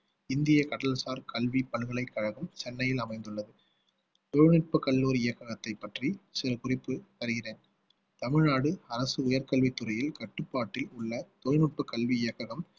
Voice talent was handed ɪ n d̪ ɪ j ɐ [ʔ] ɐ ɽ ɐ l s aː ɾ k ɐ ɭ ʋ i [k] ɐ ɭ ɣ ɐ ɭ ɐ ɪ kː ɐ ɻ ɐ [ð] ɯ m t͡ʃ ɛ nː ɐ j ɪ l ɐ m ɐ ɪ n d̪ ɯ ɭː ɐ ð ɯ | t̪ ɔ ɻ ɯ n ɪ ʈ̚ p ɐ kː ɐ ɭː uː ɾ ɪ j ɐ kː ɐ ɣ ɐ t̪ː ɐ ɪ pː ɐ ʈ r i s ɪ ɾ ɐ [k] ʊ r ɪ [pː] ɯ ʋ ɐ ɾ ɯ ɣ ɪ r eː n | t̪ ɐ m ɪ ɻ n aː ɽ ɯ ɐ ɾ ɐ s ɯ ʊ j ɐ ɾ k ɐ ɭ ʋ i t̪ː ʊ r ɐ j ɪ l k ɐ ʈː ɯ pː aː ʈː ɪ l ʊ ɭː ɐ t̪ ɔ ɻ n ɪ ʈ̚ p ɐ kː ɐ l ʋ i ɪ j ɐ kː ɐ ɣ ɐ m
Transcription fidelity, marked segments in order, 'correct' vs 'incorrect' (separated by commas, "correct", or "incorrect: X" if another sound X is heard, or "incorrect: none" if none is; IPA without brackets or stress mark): incorrect: k, incorrect: p, incorrect: ɣ, correct, correct